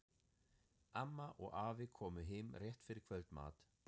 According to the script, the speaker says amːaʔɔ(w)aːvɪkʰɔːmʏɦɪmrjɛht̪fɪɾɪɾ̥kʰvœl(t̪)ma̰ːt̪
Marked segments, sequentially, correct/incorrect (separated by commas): incorrect, correct